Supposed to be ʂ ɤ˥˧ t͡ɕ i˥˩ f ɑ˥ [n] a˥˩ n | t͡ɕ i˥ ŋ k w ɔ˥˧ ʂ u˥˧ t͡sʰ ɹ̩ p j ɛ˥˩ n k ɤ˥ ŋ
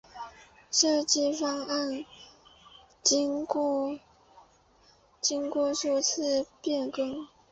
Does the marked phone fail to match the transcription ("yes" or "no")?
yes